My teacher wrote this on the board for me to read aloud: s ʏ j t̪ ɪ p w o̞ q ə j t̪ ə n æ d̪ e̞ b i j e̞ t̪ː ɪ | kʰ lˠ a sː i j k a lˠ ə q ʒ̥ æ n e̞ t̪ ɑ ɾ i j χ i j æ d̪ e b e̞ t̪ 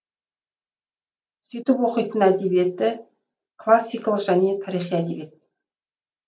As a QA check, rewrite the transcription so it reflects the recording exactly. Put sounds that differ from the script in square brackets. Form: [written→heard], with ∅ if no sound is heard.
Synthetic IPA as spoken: s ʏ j t̪ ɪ p w o̞ q ə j t̪ ə n æ d̪ e̞ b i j e̞ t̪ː ɪ | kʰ lˠ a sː i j k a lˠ ə q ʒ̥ æ n e̞ [t̪→t̪ʰ] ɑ ɾ i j χ i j æ d̪ e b e̞ t̪

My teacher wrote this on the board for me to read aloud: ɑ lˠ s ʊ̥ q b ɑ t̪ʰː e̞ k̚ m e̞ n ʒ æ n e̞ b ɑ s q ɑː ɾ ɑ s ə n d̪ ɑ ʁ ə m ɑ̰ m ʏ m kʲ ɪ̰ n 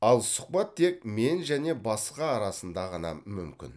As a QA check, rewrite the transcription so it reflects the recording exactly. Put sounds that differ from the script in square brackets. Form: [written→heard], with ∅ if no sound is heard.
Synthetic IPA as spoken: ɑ lˠ s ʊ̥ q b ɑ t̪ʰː e̞ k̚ m e̞ n ʒ æ n e̞ b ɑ s q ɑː ɾ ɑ s ə n d̪ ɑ ʁ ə [m→n] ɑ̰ m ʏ m kʲ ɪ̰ n

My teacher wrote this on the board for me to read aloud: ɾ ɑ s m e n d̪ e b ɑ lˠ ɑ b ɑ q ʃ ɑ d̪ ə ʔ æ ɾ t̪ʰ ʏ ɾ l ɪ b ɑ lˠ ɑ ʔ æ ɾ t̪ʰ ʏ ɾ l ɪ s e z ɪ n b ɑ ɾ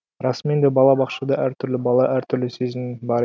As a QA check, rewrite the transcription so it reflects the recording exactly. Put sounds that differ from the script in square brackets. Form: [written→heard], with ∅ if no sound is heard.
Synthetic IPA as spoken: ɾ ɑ s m e n d̪ e b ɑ lˠ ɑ b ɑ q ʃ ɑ d̪ [ə→ɑ] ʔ æ ɾ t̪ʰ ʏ ɾ l ɪ b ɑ lˠ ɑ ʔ æ ɾ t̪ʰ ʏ ɾ l ɪ s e z ɪ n b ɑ ɾ

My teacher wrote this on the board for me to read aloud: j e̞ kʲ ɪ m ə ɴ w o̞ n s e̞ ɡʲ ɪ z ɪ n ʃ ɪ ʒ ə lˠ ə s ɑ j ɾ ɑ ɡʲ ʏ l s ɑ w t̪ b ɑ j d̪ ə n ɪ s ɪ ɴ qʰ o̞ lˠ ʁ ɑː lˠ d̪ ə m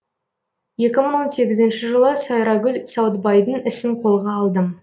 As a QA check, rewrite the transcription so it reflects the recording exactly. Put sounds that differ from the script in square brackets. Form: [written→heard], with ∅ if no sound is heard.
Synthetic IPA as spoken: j e̞ kʲ ɪ m ə ɴ w o̞ n s e̞ ɡʲ ɪ z ɪ n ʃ ɪ ʒ ə lˠ ə s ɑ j ɾ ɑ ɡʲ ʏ l s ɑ w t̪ b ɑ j d̪ ə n ɪ s ɪ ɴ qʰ o̞ lˠ ʁ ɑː lˠ d̪ ə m

